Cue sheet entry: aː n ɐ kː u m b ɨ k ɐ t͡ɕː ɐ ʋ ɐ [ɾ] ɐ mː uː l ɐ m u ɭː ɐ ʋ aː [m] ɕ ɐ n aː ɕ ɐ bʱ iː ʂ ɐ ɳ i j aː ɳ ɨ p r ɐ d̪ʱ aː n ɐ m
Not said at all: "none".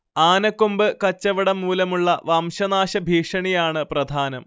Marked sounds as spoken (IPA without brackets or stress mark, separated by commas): ɽ, m